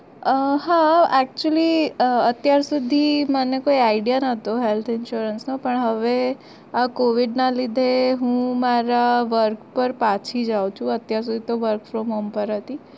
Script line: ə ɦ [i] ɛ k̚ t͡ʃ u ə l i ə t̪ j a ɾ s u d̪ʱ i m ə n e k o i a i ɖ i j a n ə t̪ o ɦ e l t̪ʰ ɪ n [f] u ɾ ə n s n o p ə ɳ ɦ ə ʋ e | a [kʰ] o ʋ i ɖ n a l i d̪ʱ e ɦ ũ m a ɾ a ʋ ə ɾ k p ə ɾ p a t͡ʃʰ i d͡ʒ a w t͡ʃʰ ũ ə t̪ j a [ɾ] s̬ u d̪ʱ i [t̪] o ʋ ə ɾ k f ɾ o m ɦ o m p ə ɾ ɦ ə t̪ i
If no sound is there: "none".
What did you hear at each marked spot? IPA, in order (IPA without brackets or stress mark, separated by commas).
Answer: a, ʃ, k, ɾ, t̪